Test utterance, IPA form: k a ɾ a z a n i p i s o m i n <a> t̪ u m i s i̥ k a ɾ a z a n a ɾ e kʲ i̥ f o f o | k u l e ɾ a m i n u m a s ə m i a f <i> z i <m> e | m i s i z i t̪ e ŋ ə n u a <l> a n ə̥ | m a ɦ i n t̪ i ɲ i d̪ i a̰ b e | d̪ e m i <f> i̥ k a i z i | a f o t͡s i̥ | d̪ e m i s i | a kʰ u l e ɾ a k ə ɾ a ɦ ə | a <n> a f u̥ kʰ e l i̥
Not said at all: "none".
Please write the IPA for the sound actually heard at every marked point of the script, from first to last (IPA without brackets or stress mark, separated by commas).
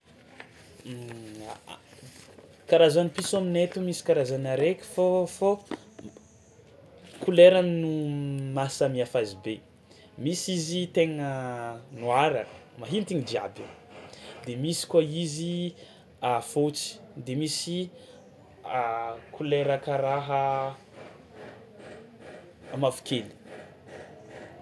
e, a, b, ɾ, s, m